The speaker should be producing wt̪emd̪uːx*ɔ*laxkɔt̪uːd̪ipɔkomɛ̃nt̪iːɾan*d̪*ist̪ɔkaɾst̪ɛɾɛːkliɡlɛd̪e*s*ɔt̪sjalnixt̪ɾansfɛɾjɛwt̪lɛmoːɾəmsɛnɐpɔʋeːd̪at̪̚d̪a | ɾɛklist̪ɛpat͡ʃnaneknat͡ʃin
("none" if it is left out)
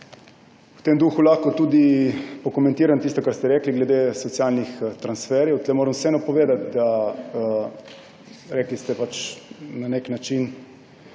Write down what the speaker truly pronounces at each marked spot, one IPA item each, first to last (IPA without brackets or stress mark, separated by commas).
u, t̪, s